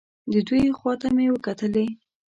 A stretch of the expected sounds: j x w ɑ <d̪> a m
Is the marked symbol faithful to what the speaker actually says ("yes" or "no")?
no